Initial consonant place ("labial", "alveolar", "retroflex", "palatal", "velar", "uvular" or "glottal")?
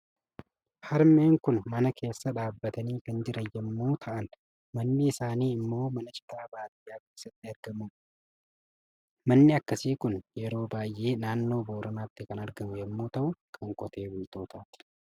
glottal